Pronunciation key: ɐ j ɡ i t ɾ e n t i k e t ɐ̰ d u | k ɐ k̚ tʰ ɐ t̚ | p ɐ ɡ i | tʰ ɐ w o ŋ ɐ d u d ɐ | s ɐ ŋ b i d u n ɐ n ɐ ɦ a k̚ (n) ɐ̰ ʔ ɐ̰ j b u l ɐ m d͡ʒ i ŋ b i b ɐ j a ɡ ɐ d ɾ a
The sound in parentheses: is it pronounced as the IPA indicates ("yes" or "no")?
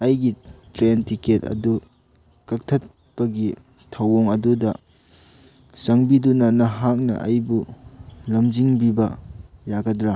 yes